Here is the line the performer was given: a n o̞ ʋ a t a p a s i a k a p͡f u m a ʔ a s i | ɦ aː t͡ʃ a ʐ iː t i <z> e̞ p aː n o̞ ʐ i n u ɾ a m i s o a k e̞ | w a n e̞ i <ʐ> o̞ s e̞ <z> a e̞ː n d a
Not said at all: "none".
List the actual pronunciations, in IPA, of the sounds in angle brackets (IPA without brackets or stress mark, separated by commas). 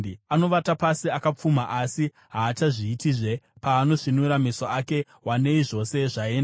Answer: ʐ, ʐ, ʐ